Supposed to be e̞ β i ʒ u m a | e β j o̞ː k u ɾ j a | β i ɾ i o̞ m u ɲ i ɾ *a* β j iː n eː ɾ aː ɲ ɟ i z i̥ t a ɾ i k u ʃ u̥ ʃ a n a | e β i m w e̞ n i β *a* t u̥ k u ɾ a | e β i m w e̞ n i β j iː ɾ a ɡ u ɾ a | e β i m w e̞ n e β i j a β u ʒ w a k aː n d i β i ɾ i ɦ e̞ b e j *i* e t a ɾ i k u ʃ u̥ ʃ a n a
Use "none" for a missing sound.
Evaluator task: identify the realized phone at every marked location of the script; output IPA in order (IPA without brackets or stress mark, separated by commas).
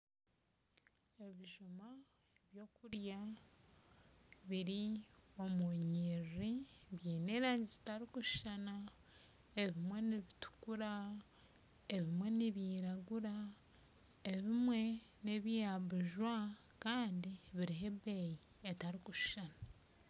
i, i, i